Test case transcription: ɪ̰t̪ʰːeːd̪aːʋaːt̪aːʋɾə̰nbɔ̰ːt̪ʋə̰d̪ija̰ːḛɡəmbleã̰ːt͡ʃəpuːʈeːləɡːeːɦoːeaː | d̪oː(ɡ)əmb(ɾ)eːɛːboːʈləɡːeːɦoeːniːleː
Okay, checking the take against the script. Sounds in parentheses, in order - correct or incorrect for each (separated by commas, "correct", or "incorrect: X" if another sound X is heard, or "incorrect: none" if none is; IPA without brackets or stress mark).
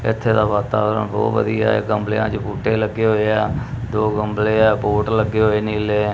correct, incorrect: l